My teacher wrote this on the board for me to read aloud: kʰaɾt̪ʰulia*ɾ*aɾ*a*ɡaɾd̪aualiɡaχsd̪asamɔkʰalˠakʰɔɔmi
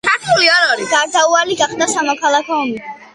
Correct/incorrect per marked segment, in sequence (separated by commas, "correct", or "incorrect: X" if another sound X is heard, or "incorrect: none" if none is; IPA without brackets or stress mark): correct, incorrect: i